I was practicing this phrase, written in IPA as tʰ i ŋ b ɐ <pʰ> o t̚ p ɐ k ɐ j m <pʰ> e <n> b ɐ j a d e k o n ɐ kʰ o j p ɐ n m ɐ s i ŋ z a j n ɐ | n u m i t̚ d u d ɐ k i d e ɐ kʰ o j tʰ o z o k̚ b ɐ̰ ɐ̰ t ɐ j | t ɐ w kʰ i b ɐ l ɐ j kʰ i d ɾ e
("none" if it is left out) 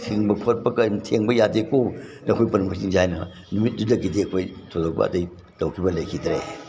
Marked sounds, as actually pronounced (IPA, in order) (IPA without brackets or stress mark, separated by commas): kʰ, tʰ, ŋ